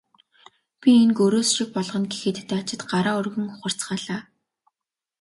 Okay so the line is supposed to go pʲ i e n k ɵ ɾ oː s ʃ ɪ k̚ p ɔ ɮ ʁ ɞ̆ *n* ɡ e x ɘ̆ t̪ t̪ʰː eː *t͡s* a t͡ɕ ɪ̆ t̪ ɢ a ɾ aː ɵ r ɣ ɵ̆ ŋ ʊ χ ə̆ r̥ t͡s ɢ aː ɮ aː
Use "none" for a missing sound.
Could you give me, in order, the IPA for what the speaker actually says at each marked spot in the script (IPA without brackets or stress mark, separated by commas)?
n, none